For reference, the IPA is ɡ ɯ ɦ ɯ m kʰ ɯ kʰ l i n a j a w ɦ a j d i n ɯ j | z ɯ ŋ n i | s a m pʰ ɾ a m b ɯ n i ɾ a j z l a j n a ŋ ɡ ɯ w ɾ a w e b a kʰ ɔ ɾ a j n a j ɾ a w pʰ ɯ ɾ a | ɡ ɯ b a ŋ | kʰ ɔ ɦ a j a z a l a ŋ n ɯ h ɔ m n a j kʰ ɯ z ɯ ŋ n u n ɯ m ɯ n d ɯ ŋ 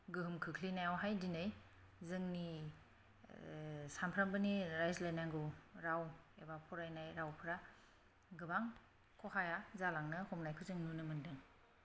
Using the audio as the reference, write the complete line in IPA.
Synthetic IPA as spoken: ɡ ɯ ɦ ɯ m kʰ ɯ kʰ l i n a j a w ɦ a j d i n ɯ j | z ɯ ŋ n i | s a m pʰ ɾ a m b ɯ n i ɾ a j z l a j n a ŋ ɡ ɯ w ɾ a w e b a pʰ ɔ ɾ a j n a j ɾ a w pʰ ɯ ɾ a | ɡ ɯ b a ŋ | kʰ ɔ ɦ a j a z a l a ŋ n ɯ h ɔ m n a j kʰ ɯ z ɯ ŋ n u n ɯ m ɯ n d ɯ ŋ